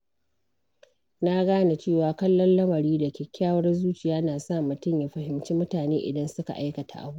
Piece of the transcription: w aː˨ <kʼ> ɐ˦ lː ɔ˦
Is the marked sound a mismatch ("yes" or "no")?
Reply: yes